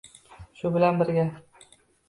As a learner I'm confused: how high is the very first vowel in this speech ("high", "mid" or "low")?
high